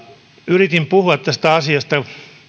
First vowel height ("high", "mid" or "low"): high